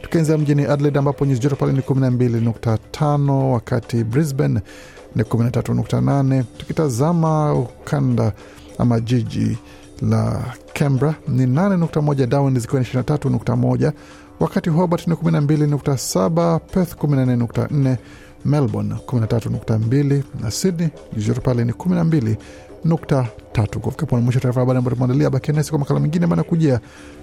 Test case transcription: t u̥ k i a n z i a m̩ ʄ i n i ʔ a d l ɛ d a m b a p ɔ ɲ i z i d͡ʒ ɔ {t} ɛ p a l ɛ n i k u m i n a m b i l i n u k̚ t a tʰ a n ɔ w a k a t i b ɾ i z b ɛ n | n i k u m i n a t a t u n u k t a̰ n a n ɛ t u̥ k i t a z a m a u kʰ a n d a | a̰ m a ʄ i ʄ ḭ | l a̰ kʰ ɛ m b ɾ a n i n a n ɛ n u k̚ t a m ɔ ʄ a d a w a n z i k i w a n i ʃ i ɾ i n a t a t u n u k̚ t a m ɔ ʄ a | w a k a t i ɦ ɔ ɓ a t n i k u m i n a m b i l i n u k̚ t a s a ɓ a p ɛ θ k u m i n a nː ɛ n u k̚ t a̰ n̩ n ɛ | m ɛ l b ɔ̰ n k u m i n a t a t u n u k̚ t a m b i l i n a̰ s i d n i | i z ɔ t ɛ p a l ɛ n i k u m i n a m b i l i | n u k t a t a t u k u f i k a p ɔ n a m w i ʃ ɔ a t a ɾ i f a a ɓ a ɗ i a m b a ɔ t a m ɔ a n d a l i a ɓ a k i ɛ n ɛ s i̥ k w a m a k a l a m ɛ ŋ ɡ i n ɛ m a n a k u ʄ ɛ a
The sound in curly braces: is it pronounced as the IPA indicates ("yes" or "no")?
yes